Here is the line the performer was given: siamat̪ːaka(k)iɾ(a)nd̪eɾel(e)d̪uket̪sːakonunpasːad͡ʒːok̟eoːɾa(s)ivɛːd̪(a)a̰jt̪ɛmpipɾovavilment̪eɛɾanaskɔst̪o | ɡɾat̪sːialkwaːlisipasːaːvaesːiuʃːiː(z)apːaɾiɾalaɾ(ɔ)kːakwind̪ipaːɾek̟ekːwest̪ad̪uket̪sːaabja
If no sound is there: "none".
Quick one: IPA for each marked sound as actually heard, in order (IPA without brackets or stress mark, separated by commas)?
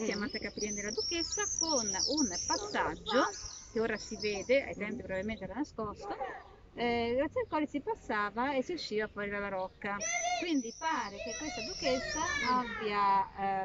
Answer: p, ɛ, a, s, e, v, ɔ